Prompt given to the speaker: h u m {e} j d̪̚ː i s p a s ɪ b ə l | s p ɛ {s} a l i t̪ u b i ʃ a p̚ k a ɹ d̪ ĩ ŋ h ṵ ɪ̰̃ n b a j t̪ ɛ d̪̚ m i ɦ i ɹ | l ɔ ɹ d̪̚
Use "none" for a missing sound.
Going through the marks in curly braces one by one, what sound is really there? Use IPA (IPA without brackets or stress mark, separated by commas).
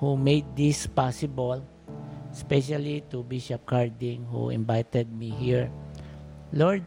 e, ʃ